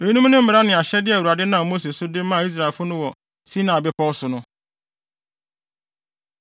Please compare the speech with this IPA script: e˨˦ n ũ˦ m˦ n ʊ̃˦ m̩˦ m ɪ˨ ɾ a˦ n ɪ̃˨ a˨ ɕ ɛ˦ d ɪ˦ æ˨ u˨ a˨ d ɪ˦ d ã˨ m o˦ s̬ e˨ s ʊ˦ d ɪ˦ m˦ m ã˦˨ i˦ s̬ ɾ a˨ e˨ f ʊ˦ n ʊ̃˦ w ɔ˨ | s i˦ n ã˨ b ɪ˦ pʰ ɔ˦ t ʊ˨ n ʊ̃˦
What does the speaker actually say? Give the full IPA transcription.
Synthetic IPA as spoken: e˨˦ n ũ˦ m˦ n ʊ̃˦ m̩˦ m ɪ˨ ɾ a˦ n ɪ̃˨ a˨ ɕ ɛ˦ d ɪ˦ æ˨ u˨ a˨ d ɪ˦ n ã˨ m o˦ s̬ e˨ s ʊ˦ d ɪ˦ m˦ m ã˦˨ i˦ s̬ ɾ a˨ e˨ f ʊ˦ n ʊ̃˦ w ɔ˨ | s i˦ n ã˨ b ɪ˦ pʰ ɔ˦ s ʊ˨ n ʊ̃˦